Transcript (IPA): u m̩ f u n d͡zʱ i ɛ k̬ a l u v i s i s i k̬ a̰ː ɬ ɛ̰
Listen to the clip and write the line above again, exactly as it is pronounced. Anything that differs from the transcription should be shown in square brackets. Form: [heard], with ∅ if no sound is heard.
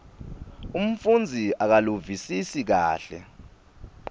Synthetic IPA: u m̩ f u n d͡zʱ i [a] k̬ a l u v i s i s i k̬ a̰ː ɬ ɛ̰